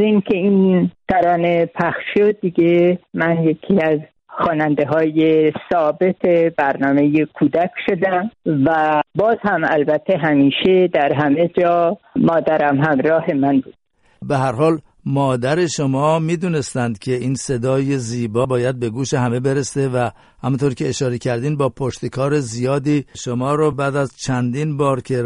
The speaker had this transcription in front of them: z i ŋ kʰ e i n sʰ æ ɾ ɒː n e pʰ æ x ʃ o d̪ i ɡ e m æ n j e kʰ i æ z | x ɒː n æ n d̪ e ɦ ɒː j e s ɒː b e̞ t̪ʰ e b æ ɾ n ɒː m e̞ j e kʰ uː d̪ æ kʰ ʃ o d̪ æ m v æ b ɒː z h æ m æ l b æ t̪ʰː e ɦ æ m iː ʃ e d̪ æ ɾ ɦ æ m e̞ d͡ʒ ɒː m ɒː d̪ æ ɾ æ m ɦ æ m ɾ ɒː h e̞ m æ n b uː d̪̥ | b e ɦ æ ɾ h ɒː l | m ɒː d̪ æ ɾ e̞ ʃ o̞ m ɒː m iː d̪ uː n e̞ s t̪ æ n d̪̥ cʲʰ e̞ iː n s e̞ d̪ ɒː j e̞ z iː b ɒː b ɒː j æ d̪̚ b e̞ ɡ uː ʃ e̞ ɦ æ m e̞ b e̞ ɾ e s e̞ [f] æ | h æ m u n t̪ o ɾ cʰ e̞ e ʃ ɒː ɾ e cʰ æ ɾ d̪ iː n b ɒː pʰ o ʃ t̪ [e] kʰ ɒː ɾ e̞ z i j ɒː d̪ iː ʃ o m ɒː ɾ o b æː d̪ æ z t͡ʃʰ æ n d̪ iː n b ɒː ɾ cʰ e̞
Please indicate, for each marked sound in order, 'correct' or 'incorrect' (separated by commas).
incorrect, correct